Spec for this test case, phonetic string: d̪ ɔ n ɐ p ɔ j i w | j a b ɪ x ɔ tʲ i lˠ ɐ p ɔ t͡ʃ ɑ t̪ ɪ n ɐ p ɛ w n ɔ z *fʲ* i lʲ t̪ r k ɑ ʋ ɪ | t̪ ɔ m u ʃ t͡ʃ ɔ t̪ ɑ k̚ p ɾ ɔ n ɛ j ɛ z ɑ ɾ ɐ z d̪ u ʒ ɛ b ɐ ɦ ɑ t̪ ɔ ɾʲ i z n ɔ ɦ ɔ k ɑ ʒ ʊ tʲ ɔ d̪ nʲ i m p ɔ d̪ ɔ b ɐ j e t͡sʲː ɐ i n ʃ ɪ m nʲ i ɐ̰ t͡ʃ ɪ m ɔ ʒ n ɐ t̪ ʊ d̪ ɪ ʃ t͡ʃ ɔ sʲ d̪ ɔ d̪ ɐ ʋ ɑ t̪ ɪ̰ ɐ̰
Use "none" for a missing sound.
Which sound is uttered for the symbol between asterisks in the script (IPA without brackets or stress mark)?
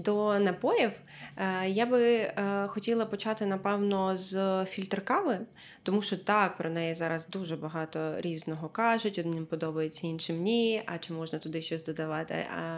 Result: fʲ